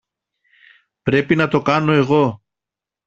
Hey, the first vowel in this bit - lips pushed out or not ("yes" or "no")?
no